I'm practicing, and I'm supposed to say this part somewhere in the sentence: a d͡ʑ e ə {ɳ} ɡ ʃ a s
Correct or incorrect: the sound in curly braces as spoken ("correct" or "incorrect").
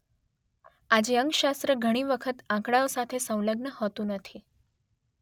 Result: incorrect